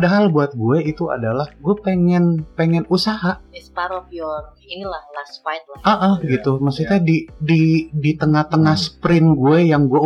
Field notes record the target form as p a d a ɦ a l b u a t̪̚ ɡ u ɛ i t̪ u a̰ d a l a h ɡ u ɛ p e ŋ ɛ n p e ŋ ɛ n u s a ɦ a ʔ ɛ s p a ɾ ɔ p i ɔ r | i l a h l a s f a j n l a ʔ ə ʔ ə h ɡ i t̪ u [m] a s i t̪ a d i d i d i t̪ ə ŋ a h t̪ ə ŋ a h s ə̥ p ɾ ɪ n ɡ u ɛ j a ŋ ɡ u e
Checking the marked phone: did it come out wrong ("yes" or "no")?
no